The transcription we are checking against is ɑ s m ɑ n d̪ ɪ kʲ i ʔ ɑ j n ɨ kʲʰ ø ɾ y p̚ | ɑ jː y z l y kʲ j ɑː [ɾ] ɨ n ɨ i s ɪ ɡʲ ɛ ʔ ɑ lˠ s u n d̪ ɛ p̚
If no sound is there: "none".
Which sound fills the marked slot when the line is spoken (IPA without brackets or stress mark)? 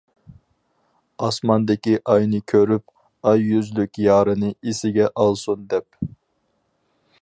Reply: ɾ